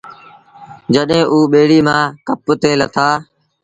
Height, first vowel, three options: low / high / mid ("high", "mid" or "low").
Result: mid